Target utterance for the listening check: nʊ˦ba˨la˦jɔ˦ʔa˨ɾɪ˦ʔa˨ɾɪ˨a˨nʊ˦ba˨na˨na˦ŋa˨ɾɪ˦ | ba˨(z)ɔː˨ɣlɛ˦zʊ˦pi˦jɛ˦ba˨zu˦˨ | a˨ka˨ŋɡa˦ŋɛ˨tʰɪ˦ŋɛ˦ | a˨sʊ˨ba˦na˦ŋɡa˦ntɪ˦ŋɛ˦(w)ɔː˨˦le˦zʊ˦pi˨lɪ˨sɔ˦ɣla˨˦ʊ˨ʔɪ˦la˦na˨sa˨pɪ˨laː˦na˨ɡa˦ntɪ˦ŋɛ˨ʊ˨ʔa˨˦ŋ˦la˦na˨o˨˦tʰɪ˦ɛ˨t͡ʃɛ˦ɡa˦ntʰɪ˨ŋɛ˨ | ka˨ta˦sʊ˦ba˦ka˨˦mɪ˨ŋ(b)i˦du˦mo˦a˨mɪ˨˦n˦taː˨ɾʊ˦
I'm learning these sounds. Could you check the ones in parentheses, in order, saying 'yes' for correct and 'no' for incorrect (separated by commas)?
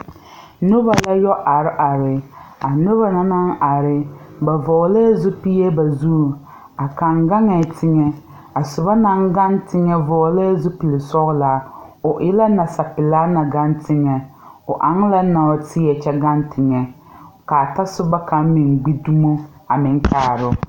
no, no, no